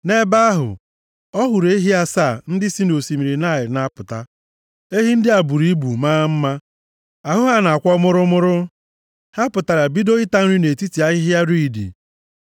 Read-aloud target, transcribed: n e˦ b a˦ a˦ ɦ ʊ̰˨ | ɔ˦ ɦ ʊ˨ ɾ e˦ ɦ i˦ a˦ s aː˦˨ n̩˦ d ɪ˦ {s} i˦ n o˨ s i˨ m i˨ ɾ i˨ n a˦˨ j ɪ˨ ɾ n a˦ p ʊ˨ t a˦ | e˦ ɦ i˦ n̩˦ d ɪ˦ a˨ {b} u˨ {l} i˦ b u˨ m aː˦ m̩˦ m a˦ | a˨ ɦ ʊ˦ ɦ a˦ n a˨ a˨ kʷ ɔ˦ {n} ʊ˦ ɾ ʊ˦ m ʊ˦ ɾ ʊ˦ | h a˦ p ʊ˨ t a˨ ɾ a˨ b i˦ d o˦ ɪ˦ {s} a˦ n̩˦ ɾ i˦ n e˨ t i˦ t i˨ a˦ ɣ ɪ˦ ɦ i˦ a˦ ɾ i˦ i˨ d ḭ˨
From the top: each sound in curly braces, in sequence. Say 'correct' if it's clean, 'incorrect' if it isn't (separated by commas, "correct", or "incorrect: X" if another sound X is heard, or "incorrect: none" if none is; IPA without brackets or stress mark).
correct, correct, incorrect: ɾ, incorrect: m, incorrect: t